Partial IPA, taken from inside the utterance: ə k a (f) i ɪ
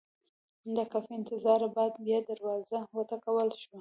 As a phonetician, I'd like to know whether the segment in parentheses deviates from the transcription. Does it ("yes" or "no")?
no